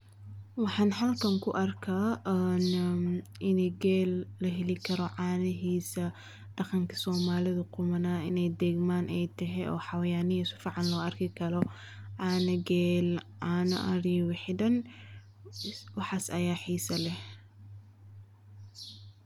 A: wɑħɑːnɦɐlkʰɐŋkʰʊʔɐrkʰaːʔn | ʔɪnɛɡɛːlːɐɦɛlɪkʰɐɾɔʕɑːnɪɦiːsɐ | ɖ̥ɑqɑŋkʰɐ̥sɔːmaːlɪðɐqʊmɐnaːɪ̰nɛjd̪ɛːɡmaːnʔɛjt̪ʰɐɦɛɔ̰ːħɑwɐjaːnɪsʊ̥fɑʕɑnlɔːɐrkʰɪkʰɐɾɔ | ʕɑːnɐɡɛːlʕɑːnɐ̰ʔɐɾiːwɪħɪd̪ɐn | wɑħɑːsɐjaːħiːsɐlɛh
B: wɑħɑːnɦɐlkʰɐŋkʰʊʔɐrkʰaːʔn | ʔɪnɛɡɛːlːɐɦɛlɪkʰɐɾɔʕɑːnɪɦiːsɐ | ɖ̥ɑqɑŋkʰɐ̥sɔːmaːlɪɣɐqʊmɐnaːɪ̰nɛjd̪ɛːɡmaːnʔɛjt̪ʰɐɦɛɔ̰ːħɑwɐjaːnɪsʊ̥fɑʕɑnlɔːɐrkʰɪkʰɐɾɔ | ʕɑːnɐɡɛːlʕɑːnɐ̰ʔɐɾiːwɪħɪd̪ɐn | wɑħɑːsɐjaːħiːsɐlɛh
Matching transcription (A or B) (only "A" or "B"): A